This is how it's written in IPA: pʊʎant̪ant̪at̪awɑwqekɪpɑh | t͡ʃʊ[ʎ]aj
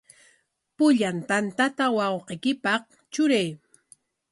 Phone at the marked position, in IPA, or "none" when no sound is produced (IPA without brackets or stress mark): ɾ